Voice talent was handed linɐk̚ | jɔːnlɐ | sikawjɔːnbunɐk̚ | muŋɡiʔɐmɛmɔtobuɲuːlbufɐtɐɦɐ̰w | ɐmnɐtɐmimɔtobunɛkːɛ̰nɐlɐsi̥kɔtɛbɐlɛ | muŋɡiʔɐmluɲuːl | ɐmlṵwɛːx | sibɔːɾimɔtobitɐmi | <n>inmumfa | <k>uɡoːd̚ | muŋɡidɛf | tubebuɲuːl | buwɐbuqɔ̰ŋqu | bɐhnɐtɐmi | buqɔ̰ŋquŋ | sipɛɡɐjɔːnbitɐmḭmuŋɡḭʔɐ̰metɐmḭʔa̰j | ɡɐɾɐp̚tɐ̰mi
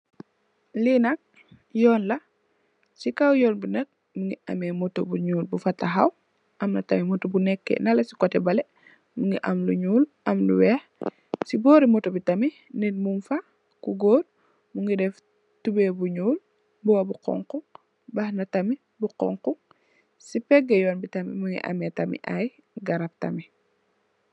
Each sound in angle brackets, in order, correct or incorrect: correct, correct

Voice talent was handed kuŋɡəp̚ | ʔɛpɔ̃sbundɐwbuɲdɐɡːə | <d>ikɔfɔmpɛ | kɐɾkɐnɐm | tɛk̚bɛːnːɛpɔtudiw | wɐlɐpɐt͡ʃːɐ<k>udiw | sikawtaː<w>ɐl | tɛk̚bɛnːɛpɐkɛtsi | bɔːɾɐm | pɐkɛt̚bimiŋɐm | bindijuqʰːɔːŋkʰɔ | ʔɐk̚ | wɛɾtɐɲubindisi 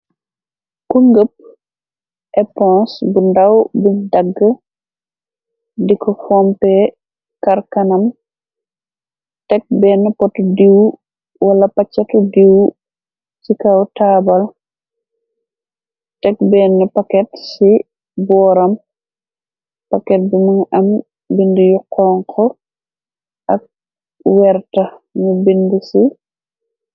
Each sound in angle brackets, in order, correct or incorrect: correct, incorrect: t, incorrect: b

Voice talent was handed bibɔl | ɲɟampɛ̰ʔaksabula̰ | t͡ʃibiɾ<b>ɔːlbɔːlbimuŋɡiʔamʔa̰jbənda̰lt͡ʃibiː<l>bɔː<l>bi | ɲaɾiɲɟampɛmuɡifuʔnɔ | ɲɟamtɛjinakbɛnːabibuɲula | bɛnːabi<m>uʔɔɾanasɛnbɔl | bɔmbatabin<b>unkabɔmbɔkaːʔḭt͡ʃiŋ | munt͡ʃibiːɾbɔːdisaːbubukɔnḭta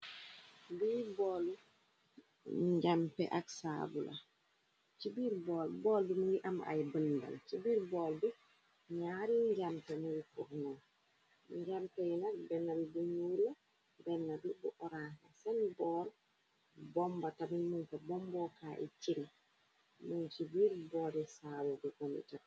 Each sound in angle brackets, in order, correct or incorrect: correct, incorrect: ɾ, correct, incorrect: b, incorrect: m

